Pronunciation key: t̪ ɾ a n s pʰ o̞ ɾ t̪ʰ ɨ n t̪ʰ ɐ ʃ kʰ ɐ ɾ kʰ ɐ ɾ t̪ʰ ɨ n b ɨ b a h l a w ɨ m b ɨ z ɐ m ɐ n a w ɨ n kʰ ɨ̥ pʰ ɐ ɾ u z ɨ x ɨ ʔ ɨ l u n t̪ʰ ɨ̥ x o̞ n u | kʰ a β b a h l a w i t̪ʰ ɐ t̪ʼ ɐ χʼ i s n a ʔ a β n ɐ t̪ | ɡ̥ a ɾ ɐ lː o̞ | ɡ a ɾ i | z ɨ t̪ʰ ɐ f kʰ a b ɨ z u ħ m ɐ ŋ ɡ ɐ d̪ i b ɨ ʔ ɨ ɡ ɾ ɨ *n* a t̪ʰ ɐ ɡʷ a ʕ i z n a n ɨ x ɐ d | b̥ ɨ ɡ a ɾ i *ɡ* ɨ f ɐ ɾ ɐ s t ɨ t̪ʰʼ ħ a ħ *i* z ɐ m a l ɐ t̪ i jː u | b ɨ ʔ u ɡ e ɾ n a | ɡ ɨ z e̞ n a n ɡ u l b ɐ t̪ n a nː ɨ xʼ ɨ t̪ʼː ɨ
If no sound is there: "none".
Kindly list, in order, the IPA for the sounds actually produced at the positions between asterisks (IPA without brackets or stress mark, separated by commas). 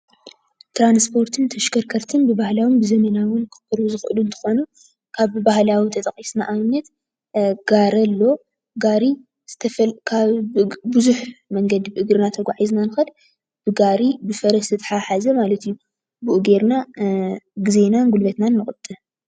n, b, a